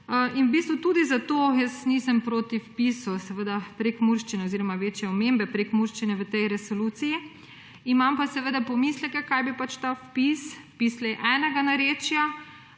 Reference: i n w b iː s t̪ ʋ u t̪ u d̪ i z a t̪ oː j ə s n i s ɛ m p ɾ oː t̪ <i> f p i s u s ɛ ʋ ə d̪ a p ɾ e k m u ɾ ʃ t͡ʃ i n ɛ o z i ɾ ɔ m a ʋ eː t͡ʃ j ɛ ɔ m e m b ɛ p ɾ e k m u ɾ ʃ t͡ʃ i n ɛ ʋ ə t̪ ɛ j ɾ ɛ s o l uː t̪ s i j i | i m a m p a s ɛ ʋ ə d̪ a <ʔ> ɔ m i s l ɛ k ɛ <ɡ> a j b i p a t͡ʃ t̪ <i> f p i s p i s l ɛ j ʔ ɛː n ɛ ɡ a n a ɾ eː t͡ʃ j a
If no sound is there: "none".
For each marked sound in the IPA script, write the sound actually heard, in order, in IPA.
i, p, k, a

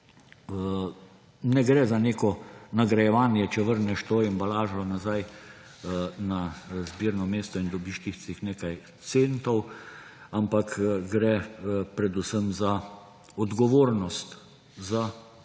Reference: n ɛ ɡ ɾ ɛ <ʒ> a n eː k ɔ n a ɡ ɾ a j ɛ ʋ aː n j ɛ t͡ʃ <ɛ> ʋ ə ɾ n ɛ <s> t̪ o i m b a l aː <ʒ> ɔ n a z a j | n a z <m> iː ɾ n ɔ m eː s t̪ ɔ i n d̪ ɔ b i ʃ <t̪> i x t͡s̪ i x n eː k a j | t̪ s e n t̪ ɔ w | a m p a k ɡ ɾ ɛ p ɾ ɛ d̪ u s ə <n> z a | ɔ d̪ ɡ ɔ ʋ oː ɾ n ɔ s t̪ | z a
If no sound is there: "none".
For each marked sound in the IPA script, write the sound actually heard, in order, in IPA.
z, ɛ, ʃ, ʒ, b, t̪, m

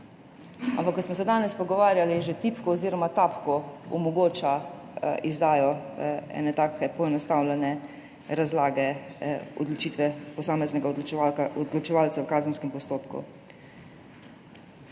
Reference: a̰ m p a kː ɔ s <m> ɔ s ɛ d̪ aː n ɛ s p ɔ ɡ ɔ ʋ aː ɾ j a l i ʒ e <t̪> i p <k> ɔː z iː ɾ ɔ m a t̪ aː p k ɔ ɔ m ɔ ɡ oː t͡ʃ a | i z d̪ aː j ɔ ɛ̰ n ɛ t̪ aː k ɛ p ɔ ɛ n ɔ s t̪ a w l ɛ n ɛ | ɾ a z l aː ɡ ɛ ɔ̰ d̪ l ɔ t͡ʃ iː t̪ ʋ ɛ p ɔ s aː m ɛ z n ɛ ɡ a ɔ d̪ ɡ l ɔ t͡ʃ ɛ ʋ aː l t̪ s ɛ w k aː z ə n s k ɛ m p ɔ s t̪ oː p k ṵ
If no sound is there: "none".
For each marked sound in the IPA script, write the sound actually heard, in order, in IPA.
m, t̪, k

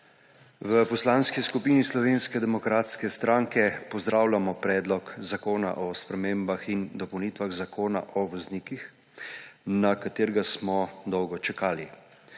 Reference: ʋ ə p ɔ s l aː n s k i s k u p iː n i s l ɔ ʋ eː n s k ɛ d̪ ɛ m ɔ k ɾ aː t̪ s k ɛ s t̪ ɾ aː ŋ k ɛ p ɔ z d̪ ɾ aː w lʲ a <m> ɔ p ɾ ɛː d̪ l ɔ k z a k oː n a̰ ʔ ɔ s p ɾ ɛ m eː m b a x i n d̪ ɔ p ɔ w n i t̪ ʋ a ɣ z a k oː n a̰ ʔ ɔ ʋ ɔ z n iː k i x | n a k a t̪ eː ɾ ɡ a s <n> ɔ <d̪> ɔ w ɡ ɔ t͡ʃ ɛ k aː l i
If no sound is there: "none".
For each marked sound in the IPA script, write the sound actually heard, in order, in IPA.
m, m, d̪

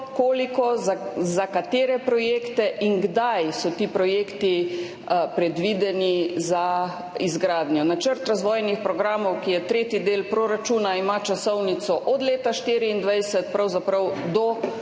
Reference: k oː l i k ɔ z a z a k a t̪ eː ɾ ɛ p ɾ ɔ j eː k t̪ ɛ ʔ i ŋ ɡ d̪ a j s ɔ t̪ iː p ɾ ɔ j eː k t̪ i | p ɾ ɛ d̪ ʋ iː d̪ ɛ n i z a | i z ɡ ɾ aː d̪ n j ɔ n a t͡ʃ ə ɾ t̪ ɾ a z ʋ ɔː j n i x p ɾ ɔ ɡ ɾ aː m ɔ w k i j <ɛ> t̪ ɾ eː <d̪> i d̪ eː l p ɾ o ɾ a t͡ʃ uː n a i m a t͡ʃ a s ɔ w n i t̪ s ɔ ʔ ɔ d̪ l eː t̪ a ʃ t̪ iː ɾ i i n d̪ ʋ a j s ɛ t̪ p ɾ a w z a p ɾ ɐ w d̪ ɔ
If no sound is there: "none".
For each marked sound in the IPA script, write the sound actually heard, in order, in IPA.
ɛ, t̪

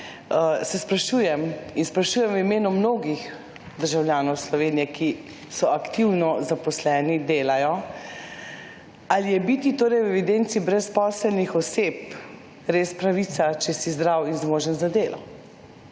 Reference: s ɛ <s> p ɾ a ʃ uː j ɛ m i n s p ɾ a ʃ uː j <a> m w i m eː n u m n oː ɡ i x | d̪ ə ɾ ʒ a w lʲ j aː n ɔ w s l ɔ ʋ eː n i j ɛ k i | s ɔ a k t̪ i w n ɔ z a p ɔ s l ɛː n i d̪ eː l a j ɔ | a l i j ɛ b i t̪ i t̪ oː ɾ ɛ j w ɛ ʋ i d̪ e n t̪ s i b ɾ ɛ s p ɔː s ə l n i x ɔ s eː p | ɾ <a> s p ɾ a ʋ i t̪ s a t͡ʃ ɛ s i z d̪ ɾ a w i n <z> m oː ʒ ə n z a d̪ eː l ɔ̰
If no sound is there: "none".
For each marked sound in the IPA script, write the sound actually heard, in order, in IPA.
s, ɛ, e, z

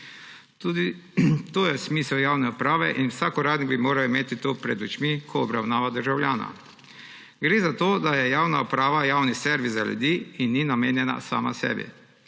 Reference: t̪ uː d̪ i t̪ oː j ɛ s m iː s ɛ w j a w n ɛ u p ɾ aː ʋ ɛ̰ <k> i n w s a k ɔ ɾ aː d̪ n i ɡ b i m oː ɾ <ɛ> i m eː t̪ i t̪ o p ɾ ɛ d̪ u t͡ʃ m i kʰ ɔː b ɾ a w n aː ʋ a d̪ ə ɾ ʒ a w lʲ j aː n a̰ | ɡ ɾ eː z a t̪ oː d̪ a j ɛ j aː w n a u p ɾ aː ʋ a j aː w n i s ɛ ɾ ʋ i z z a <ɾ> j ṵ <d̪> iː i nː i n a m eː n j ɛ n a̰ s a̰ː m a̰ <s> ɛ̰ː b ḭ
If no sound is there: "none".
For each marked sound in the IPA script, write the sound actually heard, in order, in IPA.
ʔ, a, l, d̪, s

